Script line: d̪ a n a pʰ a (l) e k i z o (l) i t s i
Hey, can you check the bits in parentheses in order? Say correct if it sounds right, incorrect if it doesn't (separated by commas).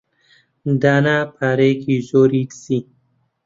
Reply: incorrect, incorrect